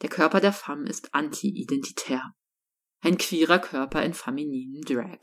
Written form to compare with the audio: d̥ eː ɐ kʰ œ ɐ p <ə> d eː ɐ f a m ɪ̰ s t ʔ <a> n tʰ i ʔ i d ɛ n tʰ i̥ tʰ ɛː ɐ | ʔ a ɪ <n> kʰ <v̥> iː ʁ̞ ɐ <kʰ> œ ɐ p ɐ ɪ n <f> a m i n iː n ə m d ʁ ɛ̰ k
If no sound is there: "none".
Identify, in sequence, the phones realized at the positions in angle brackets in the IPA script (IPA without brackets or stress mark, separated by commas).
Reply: ɐ, a, n, v̥, kʰ, f